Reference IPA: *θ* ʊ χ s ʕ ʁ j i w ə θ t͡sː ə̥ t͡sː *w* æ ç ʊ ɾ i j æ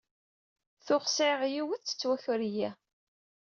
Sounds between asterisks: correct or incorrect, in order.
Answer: correct, correct

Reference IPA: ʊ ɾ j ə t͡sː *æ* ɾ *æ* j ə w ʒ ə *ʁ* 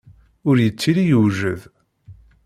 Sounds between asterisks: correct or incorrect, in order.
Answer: incorrect: i, incorrect: i, incorrect: ð

